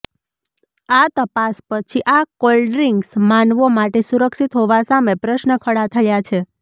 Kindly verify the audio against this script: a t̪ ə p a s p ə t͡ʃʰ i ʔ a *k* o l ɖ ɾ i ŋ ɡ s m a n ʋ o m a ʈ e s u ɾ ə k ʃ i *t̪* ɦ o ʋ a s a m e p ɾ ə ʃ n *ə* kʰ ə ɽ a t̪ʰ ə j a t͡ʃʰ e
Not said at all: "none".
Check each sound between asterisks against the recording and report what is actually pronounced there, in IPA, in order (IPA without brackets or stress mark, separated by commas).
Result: k, t̪, ə